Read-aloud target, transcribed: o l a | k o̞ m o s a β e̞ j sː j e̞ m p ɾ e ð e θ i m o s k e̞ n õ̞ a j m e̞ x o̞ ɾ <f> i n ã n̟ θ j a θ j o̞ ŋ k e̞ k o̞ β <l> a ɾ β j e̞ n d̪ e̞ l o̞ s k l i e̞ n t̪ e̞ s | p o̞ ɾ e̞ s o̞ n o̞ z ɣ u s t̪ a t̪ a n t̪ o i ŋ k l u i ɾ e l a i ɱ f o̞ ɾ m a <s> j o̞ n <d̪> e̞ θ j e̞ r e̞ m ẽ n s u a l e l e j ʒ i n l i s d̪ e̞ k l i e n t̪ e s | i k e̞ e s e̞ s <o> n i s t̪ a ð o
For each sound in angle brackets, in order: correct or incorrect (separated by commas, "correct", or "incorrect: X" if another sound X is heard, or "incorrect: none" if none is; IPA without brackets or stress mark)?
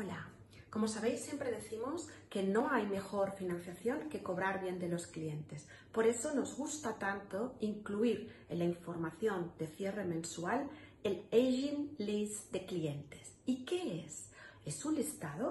correct, incorrect: ɾ, incorrect: θ, correct, incorrect: u